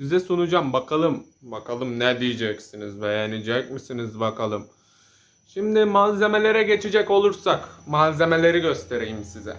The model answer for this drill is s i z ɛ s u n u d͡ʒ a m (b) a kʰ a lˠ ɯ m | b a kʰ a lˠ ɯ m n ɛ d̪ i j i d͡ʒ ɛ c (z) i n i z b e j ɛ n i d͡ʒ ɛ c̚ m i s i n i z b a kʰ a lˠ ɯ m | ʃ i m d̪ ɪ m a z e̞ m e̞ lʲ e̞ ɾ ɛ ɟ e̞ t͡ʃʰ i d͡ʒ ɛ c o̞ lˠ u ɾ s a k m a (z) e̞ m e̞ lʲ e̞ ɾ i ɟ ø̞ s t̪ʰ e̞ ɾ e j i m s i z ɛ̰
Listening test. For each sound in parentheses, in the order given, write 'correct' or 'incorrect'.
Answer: correct, incorrect, correct

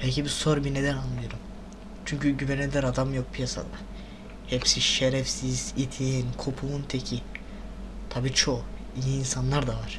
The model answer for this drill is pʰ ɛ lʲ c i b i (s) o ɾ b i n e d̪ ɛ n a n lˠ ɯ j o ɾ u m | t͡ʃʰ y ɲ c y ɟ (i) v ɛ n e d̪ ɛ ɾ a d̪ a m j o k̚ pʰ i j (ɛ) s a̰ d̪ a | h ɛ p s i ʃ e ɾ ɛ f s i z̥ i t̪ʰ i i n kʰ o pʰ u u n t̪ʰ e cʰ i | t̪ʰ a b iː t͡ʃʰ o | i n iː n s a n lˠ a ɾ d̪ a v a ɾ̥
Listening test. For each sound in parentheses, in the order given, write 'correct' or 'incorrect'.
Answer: correct, incorrect, incorrect

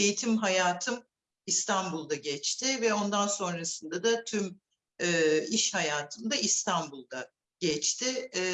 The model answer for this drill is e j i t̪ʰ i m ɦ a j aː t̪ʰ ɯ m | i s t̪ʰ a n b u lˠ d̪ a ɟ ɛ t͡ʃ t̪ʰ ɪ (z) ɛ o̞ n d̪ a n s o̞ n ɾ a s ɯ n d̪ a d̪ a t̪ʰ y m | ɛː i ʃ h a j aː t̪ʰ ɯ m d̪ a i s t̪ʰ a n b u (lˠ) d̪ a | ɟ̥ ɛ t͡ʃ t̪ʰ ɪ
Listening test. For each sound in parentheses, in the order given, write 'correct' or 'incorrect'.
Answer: incorrect, correct

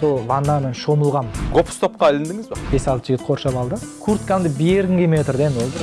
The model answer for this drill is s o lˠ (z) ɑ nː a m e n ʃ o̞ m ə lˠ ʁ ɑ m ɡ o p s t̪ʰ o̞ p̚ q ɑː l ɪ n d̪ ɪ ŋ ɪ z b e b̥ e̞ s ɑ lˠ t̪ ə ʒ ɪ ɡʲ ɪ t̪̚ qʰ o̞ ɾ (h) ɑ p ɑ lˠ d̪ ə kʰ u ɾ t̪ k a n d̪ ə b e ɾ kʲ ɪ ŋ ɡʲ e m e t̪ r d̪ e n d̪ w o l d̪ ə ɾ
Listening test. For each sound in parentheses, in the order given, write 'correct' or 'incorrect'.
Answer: incorrect, incorrect

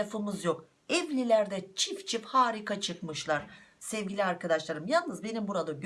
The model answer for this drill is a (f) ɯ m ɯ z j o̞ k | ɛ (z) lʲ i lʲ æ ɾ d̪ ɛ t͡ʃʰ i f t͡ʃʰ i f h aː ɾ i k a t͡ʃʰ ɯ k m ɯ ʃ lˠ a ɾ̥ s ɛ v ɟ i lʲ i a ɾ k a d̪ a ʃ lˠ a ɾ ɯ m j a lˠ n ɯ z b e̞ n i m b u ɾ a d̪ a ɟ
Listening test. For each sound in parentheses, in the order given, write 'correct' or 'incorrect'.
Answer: correct, incorrect

